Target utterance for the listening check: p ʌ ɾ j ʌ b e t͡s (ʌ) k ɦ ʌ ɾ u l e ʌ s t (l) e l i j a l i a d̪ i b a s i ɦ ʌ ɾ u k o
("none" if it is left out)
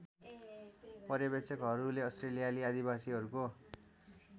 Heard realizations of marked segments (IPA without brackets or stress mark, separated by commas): ʌ, r